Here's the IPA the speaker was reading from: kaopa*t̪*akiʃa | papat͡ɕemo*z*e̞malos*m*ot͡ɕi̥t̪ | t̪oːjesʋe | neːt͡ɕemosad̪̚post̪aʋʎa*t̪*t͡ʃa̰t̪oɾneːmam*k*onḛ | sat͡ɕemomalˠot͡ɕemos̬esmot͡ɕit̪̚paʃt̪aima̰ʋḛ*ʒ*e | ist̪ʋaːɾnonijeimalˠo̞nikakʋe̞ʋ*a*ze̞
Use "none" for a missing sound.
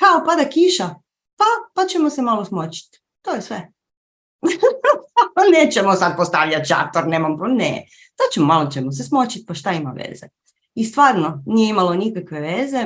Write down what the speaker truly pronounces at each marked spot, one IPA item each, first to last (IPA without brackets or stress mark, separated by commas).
d̪, s, m, t̪, p, z, e